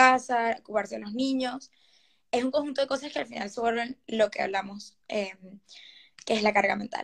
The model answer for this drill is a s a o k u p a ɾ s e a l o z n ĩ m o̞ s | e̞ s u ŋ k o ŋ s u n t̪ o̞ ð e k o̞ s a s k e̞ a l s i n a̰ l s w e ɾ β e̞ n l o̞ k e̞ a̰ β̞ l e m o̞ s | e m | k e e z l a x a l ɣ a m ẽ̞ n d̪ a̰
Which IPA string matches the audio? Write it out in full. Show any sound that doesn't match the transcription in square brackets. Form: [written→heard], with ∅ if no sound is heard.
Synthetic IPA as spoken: a s a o k u p a ɾ s e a l o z n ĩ [m→ɲ] o̞ s | e̞ s u ŋ k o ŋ [s→x] u n t̪ o̞ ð e k o̞ s a s k e̞ a l [s→f] i n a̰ l s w e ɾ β e̞ n l o̞ k e̞ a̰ β̞ l [e→a] m o̞ s | e m | k e e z l a [x→k] a [l→ɾ] ɣ a m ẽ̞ n [d̪→t̪] a̰